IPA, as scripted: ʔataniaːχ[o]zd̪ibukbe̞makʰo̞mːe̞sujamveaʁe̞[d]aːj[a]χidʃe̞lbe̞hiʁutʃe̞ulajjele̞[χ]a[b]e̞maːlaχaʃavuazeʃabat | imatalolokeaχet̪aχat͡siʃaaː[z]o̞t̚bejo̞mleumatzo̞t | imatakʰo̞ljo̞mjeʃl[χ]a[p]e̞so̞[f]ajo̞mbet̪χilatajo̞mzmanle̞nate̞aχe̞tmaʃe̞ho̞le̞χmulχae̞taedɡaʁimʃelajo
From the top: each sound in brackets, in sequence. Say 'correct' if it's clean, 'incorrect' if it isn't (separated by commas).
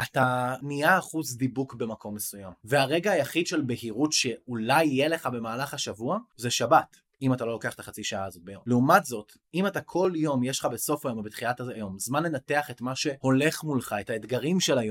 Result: incorrect, incorrect, correct, correct, correct, correct, correct, incorrect, correct